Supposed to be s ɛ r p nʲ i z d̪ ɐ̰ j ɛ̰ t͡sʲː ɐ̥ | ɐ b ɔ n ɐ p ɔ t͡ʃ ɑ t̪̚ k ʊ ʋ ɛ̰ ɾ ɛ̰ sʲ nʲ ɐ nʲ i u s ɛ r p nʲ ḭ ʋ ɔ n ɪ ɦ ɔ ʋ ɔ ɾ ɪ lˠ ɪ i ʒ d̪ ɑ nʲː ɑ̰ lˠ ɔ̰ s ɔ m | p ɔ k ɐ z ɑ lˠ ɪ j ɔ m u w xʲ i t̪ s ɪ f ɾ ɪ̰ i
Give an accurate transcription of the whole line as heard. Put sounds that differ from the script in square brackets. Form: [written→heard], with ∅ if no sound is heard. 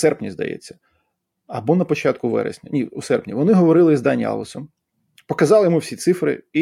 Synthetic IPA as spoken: s ɛ r p nʲ i z d̪ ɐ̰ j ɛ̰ t͡sʲː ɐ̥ | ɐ b ɔ n ɐ p ɔ t͡ʃ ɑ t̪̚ k ʊ ʋ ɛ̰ ɾ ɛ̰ sʲ nʲ ɐ nʲ i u s ɛ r p nʲ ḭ ʋ ɔ n ɪ ɦ ɔ ʋ ɔ ɾ ɪ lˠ ɪ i [ʒ→z] d̪ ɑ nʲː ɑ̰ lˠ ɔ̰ s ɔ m | p ɔ k ɐ z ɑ lˠ ɪ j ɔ m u w [xʲ→sʲ] i t̪ s ɪ f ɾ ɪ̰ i